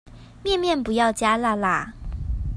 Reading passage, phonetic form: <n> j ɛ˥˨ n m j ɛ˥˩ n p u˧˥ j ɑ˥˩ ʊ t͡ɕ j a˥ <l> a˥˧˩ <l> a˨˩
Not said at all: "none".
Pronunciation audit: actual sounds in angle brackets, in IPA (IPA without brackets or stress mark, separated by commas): m, l, l